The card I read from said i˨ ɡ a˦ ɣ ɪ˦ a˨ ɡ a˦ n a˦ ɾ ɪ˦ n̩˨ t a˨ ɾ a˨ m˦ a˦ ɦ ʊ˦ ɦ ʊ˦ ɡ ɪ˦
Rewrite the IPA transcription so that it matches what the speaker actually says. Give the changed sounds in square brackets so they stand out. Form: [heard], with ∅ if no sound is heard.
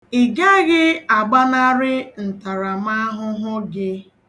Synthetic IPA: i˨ ɡ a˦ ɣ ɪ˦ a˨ [ɡ͡b] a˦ n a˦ ɾ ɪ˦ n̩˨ t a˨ ɾ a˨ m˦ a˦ ɦ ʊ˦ ɦ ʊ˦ ɡ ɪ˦